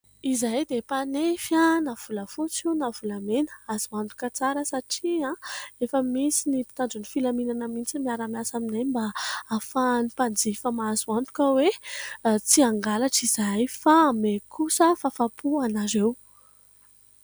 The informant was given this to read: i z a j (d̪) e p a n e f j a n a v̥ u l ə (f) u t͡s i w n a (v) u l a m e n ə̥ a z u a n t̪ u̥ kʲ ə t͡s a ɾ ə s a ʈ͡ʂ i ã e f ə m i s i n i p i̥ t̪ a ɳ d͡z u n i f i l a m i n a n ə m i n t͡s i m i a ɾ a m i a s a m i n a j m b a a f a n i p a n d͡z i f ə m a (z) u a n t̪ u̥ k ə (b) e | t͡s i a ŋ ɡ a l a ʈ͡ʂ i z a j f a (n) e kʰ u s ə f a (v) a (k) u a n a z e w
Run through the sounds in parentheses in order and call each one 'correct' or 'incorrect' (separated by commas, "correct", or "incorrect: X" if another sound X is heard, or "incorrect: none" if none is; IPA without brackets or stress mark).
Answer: correct, correct, correct, correct, incorrect: w, incorrect: m, incorrect: f, incorrect: p